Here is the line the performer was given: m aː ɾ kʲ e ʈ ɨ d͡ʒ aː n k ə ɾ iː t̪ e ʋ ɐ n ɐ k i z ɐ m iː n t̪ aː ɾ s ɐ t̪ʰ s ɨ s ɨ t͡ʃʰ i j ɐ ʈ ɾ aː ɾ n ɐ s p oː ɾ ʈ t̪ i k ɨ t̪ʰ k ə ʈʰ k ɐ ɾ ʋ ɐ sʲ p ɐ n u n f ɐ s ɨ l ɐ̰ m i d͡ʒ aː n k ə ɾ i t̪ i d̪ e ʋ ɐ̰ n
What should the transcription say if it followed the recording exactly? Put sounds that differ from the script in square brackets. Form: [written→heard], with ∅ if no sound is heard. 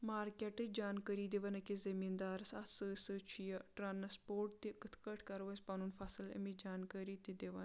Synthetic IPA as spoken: m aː ɾ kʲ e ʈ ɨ d͡ʒ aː n k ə ɾ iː [t̪→d̪] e ʋ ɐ n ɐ k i z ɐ m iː n [t̪→d̪] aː ɾ s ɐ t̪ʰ s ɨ s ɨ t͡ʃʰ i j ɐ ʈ ɾ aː [ɾ→∅] n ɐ s p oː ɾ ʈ t̪ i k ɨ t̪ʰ k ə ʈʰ k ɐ ɾ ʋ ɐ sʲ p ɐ n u n f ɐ s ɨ l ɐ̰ m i d͡ʒ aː n k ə ɾ i t̪ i d̪ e ʋ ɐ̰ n

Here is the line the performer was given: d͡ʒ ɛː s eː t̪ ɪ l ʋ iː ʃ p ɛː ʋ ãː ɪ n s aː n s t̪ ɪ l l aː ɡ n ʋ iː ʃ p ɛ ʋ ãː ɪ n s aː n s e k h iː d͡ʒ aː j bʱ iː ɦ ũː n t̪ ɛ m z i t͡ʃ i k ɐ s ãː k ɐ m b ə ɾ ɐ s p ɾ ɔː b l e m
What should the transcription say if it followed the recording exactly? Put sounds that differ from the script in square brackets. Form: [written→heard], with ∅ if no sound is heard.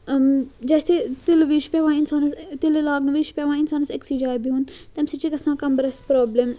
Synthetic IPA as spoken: d͡ʒ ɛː s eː t̪ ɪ l ʋ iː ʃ p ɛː ʋ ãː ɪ n s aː n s t̪ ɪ l l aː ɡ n ʋ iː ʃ p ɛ ʋ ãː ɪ n s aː n s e k [h→s] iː d͡ʒ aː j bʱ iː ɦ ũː n t̪ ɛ m [z→s] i t͡ʃ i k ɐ s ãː k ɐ m b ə ɾ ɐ s p ɾ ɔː b l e m

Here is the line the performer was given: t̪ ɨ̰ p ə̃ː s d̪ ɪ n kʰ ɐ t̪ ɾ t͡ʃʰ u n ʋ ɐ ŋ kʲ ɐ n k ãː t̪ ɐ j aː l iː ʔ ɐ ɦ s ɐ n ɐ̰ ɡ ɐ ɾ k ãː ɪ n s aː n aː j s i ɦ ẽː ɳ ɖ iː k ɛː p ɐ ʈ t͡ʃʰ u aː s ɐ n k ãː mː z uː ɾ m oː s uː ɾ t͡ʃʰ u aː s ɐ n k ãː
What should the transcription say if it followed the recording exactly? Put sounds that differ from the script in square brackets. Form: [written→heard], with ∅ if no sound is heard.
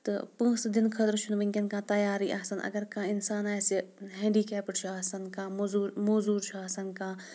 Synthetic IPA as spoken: t̪ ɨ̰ p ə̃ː s d̪ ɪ n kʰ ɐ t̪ ɾ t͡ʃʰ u n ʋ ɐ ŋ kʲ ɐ n k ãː t̪ ɐ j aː [l→ɾ] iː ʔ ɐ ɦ s ɐ n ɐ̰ ɡ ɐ ɾ k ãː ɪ n s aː n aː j s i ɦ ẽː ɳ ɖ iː k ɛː p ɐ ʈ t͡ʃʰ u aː s ɐ n k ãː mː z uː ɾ m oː [s→z] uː ɾ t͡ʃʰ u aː s ɐ n k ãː

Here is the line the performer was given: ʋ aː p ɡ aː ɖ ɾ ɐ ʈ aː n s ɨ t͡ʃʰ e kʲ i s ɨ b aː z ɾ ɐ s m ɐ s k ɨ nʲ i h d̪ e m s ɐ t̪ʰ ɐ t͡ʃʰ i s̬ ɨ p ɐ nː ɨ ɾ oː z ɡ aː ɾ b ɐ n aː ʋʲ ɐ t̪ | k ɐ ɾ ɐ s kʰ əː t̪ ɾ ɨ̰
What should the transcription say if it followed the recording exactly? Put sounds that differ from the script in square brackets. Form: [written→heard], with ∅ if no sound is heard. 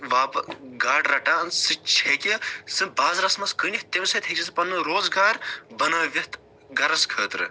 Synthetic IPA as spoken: ʋ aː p ɡ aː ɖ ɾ ɐ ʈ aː n s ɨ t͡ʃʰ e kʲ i s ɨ b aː z ɾ ɐ s m ɐ s k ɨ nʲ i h [d̪→t̪] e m s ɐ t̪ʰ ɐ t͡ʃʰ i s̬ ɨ p ɐ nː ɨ ɾ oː z ɡ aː ɾ b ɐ n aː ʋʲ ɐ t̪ | [k→ɡ] ɐ ɾ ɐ s kʰ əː t̪ ɾ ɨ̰

